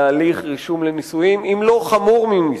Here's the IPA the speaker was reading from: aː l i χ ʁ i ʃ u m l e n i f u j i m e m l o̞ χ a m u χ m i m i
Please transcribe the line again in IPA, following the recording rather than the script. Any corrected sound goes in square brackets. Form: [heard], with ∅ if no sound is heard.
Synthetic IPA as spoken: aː l i χ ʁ i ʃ u m l e n i [s] u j i m [i] m l o̞ χ a m u [ʁ] m i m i